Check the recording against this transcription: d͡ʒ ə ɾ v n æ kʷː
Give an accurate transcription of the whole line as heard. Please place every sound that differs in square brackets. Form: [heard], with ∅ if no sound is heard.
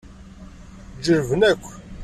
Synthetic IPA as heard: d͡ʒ ə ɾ v n æ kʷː

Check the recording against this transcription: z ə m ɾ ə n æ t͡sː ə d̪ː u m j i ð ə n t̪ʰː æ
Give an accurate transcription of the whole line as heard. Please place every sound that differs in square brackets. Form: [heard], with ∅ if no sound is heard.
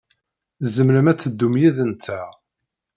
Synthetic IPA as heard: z ə m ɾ ə [m] æ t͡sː ə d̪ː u m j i ð ə n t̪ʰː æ

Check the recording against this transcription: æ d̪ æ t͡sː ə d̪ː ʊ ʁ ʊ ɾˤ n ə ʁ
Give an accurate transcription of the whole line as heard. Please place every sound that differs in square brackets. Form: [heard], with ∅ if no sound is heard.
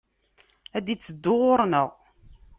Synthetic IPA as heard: æ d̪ [i] t͡sː ə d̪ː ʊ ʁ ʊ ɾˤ n ə ʁ

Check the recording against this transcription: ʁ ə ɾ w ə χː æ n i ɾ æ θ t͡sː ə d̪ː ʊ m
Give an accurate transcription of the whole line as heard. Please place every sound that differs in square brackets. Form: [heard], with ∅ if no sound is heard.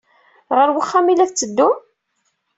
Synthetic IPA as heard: ʁ ə ɾ w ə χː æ [m] i [l] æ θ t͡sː ə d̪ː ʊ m

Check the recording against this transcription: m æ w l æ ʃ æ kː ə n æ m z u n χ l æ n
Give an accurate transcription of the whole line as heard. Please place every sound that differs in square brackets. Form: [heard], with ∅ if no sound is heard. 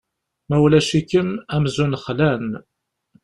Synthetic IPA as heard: m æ w l æ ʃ [i] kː ə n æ m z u n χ l æ n

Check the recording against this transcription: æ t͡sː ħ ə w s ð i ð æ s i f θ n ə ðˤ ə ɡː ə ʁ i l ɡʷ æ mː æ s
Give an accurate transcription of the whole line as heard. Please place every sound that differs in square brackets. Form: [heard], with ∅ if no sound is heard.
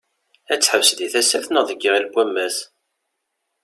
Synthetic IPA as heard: æ t͡sː ħ ə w s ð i [θ] æ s [æ] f θ n ə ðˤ ə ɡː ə ʁ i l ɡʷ æ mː æ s

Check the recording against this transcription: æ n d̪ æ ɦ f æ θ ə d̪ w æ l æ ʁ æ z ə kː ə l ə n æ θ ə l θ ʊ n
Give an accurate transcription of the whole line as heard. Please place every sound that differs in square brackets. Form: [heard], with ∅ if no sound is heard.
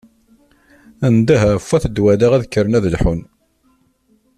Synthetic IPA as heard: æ n d̪ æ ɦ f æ θ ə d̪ w æ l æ ʁ æ [ð] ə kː ə [ɾ] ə n æ [ð] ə l [ħ] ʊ n

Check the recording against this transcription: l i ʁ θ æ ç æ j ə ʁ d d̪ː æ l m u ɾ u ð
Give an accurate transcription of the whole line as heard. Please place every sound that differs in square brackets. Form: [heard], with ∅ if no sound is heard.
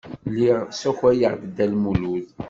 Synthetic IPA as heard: l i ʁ [s] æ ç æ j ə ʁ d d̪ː æ l m u [l] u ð

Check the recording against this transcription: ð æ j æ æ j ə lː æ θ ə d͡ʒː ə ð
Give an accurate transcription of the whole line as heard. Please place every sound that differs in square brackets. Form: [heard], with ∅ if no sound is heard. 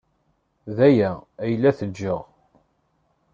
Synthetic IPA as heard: ð æ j æ æ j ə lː æ θ ə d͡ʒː ə [ʁ]

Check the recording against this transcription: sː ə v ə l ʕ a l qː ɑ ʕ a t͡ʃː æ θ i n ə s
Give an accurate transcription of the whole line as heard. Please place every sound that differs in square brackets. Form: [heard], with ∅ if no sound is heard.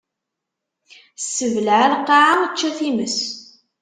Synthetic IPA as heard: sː ə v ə l ʕ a l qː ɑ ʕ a t͡ʃː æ θ i [m] ə s

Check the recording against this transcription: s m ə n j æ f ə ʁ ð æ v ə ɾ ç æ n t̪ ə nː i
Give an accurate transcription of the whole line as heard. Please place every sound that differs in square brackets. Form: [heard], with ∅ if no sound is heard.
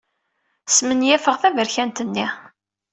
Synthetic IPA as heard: s m ə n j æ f ə ʁ [θ] æ v ə ɾ ç æ n t̪ ə nː i

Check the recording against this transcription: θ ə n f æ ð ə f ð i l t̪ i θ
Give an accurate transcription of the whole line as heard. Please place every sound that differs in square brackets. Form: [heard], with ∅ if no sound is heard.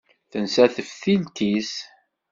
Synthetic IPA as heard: θ ə n [s] æ [θ] ə f [θ] i l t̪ i [s]

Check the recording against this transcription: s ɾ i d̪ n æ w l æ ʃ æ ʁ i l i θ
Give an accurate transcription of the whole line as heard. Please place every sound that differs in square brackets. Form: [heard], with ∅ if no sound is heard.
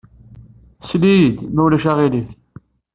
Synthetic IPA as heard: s [l] i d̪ [m] æ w l æ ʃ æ ʁ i l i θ

